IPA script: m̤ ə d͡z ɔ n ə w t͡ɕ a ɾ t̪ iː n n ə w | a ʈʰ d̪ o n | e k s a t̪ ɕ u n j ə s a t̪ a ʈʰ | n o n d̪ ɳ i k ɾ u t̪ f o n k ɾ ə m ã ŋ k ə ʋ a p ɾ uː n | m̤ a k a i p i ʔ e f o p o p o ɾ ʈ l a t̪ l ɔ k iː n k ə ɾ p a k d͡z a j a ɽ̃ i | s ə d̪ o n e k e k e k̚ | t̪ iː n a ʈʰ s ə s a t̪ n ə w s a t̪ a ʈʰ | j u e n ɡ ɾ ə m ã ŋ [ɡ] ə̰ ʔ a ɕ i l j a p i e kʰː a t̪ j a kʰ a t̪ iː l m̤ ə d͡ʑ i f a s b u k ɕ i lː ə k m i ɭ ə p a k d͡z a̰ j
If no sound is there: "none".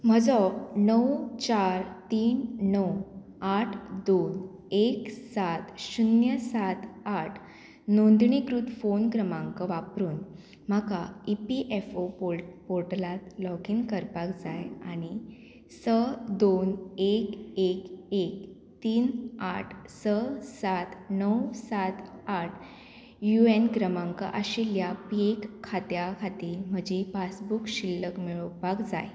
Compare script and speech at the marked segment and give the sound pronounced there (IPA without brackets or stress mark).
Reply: k